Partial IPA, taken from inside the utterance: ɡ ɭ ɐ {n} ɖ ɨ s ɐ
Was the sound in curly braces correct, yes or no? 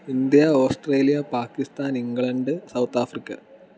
no